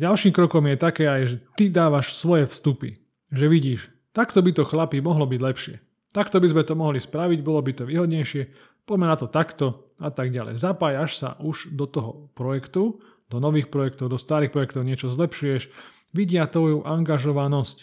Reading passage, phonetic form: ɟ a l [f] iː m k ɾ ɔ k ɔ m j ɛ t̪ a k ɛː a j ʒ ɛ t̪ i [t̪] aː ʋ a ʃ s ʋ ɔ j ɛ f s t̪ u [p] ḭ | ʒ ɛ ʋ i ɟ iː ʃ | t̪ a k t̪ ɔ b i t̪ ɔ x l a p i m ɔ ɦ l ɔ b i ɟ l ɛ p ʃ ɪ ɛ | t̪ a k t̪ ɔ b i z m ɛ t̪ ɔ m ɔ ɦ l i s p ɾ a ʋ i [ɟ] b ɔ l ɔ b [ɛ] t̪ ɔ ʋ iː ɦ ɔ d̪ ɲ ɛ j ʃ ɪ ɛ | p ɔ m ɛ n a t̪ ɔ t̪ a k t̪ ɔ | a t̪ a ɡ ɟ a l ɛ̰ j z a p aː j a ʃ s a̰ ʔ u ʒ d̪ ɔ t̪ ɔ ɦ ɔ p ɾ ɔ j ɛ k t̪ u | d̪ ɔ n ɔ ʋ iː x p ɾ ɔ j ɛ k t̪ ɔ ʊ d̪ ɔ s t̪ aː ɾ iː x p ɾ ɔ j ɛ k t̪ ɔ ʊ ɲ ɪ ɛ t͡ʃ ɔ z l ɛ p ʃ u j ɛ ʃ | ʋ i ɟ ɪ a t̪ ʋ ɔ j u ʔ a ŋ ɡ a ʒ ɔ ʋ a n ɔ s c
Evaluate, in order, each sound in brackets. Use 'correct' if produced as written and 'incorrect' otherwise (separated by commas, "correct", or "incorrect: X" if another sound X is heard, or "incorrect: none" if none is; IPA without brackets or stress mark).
incorrect: ʃ, incorrect: d̪, correct, correct, incorrect: i